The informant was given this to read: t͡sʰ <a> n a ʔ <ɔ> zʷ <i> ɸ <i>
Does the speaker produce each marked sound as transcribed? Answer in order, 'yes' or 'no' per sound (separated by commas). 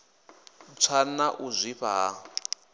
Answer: yes, no, yes, no